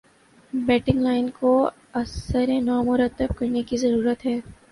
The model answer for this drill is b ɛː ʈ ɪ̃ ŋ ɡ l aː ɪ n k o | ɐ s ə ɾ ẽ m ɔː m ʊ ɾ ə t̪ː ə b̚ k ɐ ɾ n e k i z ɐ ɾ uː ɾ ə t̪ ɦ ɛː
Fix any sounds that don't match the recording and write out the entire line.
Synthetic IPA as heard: b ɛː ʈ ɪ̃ ŋ ɡ l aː ɪ n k o | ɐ s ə ɾ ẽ n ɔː m ʊ ɾ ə t̪ː ə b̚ k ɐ ɾ n e k i z ɐ ɾ uː ɾ ə t̪ ɦ ɛː